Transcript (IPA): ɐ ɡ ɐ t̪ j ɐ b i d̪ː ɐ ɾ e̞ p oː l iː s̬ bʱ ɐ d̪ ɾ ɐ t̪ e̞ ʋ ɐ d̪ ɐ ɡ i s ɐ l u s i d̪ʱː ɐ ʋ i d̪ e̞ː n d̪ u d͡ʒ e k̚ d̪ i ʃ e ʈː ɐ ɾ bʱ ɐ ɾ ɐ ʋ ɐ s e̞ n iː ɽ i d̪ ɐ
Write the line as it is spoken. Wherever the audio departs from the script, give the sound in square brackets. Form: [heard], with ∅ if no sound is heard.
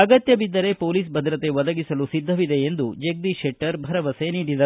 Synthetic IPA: ɐ ɡ ɐ t̪ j ɐ b i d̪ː ɐ ɾ e̞ p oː l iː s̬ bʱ ɐ d̪ ɾ ɐ t̪ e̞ ʋ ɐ d̪ ɐ ɡ i s ɐ l u s i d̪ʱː ɐ ʋ i d̪ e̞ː n d̪ u d͡ʒ e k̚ d̪ i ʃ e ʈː ɐ ɾ bʱ ɐ ɾ ɐ ʋ ɐ s e̞ n iː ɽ i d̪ ɐ